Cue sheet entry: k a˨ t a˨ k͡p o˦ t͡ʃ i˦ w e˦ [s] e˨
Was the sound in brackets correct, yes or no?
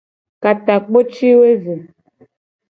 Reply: no